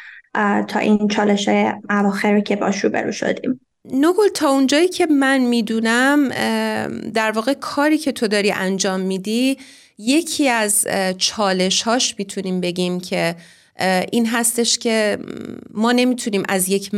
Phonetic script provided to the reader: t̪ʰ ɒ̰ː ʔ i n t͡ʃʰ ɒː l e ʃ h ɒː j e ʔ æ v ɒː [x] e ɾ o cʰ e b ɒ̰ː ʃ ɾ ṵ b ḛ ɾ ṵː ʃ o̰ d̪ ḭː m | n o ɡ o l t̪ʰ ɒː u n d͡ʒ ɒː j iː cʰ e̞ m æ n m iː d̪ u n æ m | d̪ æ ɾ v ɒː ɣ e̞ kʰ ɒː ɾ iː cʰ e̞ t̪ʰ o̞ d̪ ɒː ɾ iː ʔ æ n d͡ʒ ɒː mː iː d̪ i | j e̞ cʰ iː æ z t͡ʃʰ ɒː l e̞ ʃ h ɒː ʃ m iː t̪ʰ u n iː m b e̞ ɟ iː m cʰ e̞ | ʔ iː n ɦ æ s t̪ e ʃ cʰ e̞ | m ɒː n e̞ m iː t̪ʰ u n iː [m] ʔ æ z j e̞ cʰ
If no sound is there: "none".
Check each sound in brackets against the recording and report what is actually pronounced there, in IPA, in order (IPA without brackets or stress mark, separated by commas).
x, m